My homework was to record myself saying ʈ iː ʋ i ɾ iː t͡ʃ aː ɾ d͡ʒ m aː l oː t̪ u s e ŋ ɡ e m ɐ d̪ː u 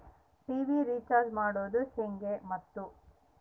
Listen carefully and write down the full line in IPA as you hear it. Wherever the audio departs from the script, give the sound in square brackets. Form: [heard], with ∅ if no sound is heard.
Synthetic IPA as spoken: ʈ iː ʋ i ɾ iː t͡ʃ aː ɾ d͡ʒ m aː [ɽ] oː [d̪] u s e ŋ ɡ e m ɐ [t̪ː] u